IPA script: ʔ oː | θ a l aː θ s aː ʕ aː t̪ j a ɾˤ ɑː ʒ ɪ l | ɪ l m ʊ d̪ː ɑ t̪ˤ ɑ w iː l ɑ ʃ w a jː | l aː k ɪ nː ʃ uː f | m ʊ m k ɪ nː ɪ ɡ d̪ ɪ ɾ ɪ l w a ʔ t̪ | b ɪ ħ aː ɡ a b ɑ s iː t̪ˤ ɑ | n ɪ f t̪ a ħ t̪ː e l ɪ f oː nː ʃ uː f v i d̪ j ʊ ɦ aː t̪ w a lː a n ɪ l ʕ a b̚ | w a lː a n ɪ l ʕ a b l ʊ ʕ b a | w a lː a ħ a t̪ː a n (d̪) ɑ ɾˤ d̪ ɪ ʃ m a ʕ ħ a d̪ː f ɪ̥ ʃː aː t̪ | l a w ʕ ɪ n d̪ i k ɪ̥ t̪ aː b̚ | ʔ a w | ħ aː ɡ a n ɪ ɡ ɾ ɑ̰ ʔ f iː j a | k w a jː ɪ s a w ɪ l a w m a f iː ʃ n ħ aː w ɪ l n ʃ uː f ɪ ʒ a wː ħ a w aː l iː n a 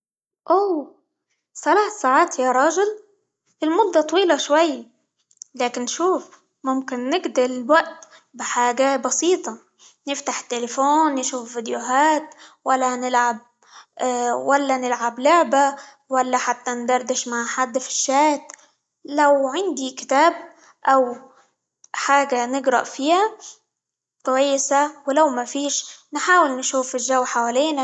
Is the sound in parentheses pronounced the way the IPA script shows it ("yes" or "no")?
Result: yes